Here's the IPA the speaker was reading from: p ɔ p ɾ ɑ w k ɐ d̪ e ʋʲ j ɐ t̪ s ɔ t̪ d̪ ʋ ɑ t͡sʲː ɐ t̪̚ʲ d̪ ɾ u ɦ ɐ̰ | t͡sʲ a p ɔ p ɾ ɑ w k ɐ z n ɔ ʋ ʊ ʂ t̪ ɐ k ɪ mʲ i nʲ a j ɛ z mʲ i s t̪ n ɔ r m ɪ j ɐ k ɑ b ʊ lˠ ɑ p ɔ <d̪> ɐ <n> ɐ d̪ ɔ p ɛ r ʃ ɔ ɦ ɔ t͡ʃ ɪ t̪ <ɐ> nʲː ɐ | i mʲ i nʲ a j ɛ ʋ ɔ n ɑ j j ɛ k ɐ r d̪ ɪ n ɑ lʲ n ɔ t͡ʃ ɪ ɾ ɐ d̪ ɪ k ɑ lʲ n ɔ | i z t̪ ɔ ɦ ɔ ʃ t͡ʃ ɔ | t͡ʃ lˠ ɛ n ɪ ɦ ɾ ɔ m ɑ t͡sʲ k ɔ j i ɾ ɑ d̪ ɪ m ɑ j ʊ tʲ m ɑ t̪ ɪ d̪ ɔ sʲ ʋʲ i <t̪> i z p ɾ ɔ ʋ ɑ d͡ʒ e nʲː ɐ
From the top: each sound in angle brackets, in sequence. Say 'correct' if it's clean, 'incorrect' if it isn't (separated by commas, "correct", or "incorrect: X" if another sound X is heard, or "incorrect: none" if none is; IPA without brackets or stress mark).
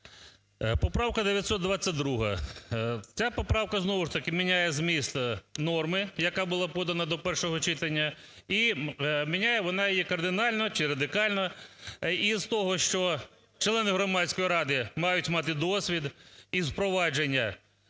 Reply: correct, correct, correct, incorrect: d̪